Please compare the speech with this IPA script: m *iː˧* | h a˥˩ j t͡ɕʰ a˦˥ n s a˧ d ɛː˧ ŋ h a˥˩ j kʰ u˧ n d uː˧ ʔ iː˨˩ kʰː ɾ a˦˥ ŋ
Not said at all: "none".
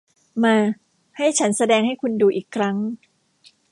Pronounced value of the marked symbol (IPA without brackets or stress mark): aː˧